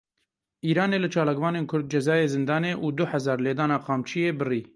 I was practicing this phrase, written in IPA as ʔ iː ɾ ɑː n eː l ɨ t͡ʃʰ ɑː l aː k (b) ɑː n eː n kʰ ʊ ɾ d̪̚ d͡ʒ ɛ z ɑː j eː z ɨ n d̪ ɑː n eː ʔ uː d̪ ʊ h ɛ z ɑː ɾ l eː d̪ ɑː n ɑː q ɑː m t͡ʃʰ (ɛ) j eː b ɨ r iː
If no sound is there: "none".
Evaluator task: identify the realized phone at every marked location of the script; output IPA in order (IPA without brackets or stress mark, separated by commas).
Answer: v, i